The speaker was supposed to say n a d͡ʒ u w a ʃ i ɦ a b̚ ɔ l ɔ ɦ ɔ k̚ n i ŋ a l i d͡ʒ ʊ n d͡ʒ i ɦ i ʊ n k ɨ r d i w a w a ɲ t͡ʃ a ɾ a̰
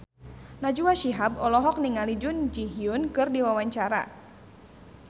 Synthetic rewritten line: n a d͡ʒ u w a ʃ i ɦ a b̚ ɔ l ɔ ɦ ɔ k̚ n i ŋ a l i d͡ʒ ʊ n d͡ʒ i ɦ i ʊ n k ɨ r d i w a w a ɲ t͡ʃ a ɾ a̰